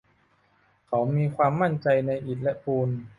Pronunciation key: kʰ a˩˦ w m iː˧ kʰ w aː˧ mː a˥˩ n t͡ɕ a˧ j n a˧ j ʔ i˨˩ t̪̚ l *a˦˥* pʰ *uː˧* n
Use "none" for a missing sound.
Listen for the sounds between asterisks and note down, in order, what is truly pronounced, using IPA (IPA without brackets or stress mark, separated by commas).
ɛ˦˥, uː˧